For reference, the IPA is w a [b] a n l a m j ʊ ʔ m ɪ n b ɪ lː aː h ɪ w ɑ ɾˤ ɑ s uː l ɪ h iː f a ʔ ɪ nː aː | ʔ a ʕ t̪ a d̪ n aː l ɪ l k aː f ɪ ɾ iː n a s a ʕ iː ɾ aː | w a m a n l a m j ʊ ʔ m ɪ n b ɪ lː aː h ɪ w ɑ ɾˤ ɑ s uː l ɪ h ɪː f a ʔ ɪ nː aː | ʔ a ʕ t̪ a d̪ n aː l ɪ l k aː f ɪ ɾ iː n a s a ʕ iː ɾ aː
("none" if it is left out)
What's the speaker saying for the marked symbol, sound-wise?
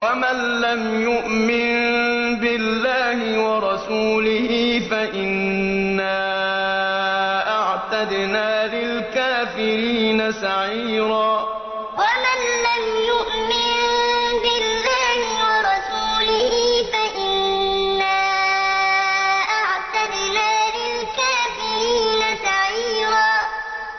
m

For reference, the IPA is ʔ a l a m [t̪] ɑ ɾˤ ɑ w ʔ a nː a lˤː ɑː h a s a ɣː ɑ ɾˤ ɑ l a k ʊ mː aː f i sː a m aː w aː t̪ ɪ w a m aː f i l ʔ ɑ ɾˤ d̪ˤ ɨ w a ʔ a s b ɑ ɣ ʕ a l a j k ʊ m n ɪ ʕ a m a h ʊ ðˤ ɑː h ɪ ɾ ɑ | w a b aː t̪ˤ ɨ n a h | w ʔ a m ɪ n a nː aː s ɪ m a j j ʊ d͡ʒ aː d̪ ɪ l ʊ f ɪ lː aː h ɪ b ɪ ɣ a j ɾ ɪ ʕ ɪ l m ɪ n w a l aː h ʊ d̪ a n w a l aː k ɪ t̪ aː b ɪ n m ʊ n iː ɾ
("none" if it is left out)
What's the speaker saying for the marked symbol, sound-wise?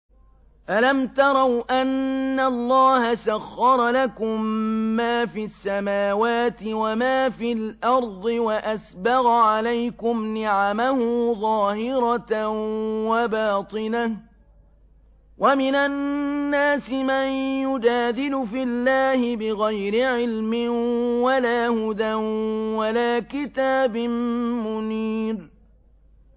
t̪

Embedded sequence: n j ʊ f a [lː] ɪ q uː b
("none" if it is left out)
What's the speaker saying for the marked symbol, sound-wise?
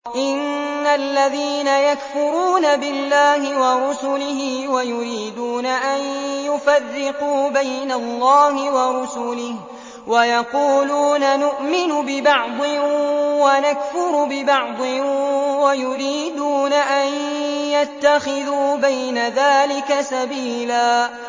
rː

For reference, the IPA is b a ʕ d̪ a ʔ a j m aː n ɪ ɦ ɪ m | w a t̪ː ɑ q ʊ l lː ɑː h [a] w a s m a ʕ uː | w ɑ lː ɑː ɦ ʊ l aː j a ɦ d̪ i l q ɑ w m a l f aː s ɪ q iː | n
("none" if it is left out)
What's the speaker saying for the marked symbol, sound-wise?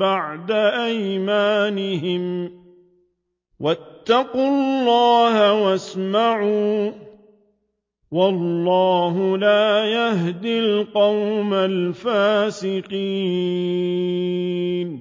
a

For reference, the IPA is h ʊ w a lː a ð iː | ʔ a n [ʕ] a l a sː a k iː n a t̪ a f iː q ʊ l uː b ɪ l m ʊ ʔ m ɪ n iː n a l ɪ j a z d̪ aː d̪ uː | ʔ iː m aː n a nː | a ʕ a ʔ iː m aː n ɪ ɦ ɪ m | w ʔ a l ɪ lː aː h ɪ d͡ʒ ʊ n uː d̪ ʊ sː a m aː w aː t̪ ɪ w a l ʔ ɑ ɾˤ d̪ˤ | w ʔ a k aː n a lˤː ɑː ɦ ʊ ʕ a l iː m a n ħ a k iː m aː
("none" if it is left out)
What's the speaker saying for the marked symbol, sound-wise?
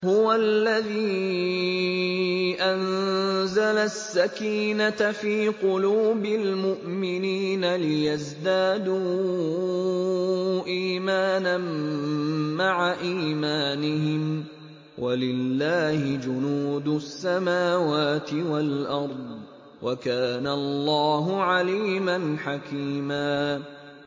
z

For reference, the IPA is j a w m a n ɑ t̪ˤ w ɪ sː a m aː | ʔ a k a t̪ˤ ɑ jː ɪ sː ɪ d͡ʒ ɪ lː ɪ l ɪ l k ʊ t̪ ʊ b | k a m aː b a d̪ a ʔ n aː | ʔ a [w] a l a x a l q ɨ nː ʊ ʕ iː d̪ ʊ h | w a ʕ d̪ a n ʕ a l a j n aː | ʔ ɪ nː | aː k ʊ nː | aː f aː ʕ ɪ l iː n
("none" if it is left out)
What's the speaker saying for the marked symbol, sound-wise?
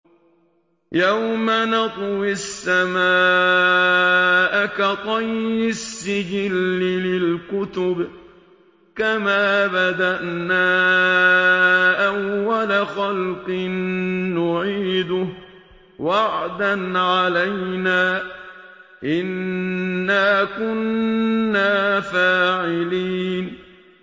wː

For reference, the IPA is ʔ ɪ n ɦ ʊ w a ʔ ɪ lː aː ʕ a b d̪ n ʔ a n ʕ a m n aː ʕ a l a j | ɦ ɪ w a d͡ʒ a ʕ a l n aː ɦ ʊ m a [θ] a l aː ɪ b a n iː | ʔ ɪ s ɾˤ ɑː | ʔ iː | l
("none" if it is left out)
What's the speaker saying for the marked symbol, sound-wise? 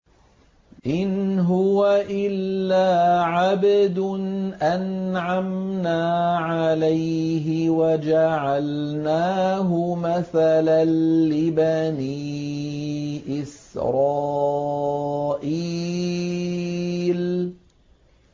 θ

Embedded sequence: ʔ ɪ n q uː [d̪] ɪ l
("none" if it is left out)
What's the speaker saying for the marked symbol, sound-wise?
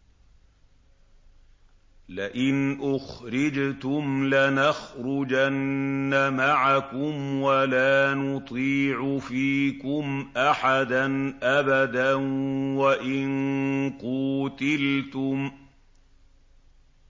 t̪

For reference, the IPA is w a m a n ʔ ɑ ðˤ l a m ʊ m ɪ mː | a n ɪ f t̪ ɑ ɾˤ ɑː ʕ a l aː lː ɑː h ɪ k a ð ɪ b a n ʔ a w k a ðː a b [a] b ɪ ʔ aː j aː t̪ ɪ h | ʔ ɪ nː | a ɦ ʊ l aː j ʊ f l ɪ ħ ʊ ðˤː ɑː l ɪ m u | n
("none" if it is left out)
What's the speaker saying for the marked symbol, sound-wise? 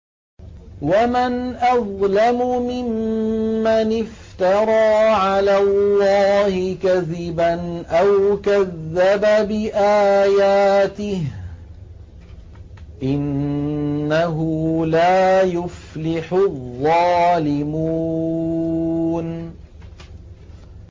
a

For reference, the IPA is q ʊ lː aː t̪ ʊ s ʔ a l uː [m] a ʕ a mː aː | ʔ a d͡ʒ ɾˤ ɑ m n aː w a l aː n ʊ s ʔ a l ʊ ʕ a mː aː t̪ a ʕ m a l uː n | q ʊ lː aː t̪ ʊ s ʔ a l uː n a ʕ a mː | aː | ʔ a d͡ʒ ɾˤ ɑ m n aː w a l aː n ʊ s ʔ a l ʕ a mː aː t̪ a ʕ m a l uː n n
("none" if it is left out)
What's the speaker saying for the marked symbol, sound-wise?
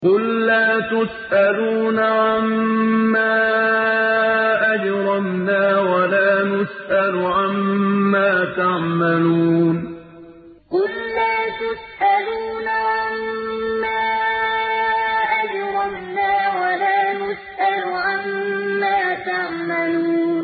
n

